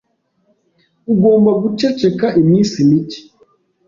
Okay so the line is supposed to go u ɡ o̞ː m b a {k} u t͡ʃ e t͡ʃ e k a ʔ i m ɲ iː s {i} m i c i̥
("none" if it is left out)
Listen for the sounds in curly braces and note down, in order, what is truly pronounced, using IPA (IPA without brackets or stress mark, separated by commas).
ɡ, i